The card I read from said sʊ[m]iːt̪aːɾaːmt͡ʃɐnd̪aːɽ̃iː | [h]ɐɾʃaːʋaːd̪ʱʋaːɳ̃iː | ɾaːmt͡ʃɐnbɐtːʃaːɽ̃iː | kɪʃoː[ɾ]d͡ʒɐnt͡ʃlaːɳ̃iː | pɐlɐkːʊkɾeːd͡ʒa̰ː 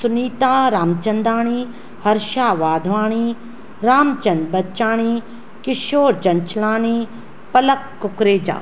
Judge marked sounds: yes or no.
no, yes, yes

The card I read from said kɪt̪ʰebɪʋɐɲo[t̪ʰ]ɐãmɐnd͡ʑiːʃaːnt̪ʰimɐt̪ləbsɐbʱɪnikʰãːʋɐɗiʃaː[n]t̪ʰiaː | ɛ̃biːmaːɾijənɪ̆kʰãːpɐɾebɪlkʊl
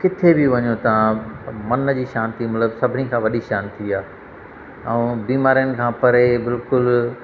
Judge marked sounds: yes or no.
no, yes

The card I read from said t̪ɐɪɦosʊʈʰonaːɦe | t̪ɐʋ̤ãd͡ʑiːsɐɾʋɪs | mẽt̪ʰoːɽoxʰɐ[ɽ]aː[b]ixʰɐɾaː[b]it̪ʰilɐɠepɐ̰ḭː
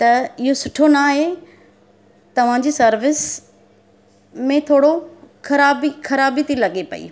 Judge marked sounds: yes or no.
no, yes, yes

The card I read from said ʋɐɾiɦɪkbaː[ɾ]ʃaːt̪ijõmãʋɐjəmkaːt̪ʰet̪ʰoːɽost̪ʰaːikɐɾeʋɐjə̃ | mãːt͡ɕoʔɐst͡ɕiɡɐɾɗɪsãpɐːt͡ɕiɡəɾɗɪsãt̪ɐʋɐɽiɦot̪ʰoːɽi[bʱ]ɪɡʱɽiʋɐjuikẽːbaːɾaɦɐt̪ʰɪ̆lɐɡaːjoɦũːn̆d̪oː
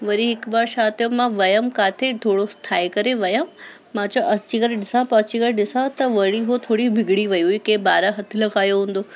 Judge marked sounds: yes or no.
yes, yes

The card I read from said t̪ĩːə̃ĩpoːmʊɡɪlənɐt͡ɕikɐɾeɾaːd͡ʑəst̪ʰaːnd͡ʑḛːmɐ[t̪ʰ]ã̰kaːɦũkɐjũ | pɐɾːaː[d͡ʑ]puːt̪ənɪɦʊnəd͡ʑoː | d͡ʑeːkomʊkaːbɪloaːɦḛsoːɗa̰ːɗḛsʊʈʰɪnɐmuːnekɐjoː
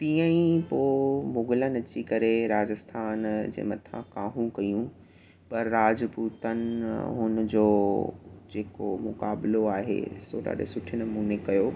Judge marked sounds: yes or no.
yes, yes

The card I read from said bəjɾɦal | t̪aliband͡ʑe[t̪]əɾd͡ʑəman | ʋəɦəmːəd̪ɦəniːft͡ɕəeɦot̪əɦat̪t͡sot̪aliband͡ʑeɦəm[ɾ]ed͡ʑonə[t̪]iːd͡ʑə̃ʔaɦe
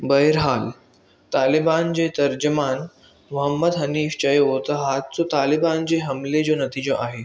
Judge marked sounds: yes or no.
yes, no, yes

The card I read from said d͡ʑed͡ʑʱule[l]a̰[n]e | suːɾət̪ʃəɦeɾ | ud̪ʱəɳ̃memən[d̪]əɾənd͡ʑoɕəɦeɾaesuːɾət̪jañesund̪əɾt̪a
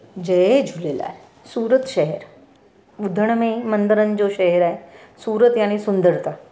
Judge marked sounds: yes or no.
yes, no, yes

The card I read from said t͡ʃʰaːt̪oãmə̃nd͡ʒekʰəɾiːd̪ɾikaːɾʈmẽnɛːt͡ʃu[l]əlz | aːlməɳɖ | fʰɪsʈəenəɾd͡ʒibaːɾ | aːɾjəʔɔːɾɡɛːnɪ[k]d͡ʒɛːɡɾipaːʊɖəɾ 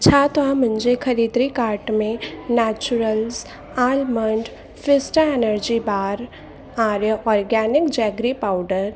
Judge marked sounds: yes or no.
no, yes

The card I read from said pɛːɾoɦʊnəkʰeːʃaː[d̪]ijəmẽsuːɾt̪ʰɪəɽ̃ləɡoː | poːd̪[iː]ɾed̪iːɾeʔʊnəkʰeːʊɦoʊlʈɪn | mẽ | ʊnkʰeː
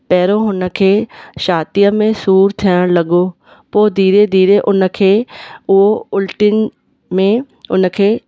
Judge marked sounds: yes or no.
no, yes

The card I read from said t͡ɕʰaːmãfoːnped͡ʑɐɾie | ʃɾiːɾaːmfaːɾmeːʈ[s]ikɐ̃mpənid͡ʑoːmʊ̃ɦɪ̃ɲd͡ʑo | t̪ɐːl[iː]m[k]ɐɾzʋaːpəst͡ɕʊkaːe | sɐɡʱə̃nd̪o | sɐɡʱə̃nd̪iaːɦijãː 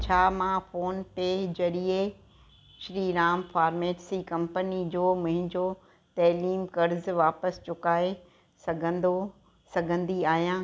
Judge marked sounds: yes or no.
yes, yes, yes

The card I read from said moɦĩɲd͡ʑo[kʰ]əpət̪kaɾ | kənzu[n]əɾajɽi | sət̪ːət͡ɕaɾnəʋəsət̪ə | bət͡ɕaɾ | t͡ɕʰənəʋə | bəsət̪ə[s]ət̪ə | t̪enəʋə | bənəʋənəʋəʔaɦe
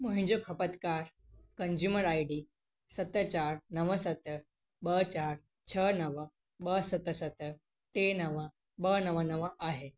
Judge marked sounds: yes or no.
yes, no, yes

